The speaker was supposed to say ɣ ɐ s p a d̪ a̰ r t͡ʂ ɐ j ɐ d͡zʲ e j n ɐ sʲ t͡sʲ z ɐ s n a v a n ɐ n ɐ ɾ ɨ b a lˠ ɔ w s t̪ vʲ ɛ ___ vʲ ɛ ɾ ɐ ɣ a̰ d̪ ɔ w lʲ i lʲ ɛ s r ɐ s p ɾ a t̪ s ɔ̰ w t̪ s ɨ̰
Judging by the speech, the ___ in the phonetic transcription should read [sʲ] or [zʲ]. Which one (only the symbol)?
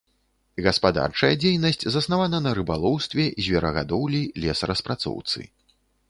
zʲ